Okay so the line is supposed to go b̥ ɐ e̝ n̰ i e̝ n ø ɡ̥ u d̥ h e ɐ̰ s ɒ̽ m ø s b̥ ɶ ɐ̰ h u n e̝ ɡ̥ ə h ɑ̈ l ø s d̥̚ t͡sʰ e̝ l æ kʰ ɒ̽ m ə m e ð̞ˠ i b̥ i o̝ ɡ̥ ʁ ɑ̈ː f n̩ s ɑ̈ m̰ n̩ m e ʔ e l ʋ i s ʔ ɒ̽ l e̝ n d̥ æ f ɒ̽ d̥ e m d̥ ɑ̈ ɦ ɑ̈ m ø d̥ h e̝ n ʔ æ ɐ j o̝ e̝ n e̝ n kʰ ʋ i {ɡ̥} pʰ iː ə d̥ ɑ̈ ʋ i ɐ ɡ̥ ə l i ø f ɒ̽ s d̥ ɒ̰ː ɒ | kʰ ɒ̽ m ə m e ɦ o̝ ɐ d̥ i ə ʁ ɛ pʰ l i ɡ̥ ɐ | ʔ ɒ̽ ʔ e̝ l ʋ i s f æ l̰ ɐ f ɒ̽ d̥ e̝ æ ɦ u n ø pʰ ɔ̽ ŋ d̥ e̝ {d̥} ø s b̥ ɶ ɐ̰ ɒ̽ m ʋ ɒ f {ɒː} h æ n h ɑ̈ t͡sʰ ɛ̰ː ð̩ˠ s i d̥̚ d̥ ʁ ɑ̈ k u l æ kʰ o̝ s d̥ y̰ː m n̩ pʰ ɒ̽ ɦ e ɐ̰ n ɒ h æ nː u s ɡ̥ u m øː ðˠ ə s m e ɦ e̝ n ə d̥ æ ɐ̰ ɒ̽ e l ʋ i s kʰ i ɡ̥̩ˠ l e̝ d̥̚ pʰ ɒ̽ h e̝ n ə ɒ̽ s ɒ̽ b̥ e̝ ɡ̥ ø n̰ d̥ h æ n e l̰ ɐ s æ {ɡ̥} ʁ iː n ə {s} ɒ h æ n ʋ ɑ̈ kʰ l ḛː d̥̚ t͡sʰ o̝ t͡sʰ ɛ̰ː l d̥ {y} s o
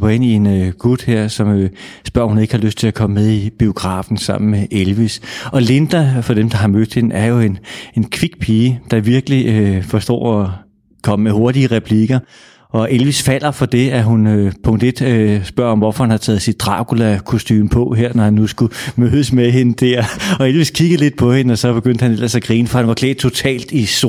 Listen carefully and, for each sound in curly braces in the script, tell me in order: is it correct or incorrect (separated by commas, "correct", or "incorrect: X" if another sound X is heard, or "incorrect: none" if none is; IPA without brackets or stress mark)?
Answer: correct, correct, incorrect: ɒ, correct, incorrect: f, incorrect: i